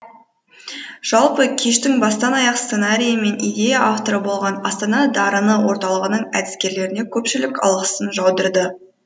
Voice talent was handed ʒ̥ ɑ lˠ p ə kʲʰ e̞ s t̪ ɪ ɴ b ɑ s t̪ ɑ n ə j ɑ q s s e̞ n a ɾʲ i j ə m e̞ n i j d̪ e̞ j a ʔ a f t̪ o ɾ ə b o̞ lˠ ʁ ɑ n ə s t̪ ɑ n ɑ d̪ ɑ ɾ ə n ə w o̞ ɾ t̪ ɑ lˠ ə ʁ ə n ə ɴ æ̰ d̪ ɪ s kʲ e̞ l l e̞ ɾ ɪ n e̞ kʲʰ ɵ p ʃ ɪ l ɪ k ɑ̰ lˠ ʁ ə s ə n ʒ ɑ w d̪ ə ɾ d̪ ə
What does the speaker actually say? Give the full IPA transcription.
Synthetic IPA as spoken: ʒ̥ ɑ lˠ p ə kʲʰ e̞ ʃ t̪ ɪ ŋ b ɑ s t̪ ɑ n ɑ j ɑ q s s e̞ n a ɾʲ i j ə m e̞ n i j d̪ e̞ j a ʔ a f t̪ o ɾ ə b o̞ lˠ ʁ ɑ n ɑ s t̪ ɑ n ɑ d̪ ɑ ɾ ə n ə w o̞ ɾ t̪ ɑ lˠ ə ʁ ə n ə ɴ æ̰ d̪ ɪ s kʲ e̞ ɾ l e̞ ɾ ɪ n e̞ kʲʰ ɵ p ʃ ɪ l ɪ k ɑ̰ lˠ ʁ ə s ə n ʒ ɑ w d̪ ə ɾ d̪ ə